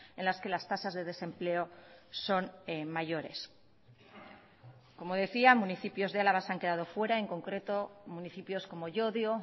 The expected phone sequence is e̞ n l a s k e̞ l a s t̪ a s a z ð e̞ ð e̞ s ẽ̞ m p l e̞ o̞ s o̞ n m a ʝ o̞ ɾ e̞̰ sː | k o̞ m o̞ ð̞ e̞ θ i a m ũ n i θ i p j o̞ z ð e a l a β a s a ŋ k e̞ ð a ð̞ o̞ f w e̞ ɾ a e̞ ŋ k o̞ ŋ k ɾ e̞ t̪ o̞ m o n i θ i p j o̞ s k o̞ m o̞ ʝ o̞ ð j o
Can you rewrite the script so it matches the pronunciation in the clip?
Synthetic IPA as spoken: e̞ n l a s k e̞ l a s t̪ a s a z ð e̞ ð e̞ s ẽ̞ m p l e̞ o̞ s o̞ n m a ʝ o̞ ɾ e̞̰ s | k o̞ m o̞ ð̞ e̞ θ i a m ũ n i θ i p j o̞ z ð e a l a β a s a ŋ k e̞ ð a ð̞ o̞ f w e̞ ɾ a e̞ ŋ k o̞ ŋ k ɾ e̞ t̪ o̞ m u n i θ i p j o̞ s k o̞ m o̞ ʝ o̞ ð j o